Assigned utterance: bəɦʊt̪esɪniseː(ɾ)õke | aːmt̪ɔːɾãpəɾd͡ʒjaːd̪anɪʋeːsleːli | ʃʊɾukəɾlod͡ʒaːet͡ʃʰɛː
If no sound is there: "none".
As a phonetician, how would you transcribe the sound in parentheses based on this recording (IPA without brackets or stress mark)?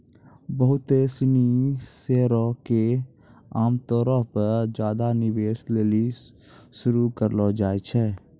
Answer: ɾ